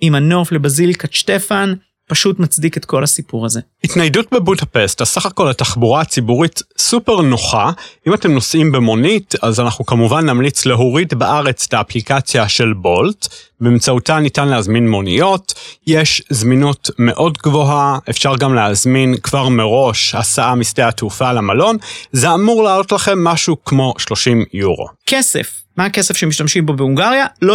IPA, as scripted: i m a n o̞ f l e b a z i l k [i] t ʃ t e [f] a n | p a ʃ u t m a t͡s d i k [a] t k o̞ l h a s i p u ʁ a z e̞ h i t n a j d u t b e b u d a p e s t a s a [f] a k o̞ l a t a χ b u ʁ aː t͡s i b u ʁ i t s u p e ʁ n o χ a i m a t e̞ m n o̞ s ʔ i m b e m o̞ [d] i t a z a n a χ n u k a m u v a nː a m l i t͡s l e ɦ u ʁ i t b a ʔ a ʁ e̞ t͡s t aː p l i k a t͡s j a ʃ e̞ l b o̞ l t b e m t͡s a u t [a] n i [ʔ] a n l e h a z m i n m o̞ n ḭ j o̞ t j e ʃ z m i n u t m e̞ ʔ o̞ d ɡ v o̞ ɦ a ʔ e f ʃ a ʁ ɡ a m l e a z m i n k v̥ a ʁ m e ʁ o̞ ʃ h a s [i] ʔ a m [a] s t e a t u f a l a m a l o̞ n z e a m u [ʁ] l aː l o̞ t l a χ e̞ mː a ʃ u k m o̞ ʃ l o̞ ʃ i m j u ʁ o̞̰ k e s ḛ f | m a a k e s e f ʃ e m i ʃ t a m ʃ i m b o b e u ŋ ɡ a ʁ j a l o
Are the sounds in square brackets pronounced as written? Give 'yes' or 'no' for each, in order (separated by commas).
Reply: no, yes, no, no, no, yes, no, no, no, yes